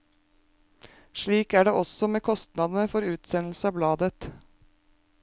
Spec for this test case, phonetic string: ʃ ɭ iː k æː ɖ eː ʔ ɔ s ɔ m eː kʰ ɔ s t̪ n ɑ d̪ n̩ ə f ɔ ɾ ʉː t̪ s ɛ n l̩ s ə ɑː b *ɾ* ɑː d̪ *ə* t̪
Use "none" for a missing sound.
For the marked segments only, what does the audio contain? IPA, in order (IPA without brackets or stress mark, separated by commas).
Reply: l, ə